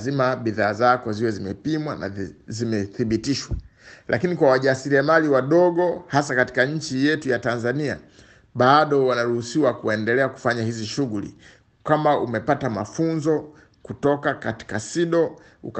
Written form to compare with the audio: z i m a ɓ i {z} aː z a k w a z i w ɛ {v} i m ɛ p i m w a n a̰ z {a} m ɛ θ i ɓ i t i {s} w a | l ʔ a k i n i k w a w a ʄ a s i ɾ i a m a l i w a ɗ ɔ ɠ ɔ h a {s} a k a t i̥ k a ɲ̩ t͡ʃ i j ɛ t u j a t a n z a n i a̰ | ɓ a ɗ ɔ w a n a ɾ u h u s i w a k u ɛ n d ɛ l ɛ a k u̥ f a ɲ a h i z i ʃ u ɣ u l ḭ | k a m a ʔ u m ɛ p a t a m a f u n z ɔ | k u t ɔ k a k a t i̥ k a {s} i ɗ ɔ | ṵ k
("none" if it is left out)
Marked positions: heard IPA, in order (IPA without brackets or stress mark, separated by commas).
ð, z, i, ʃ, s, s